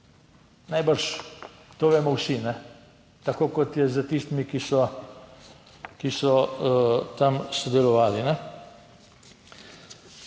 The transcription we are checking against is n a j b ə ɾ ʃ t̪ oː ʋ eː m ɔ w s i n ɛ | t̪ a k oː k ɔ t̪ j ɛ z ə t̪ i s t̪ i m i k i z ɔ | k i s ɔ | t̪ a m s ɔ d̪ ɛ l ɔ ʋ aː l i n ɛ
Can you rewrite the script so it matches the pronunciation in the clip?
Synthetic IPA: n a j b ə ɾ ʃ t̪ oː ʋ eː m ɔ w s i n ɛ | t̪ a k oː k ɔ t̪ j ɛ z ə t̪ i s t̪ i m i k i s ɔ | k i s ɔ | t̪ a m s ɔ d̪ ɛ l ɔ ʋ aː l i n ɛ